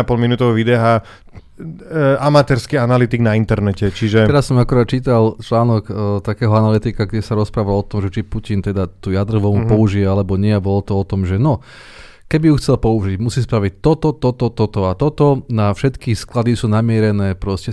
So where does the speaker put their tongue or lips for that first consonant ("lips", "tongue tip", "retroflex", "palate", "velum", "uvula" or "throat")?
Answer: lips